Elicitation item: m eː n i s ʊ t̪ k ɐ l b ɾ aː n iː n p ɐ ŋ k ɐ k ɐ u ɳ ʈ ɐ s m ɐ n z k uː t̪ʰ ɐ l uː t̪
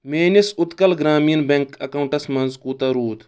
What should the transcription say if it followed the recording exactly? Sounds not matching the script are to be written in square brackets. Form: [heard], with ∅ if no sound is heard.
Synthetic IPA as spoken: m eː n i s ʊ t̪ k ɐ l [ɡ] ɾ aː [m] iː n [b] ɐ ŋ k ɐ k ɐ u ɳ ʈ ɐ s m ɐ n z k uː [t̪] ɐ [ɾ] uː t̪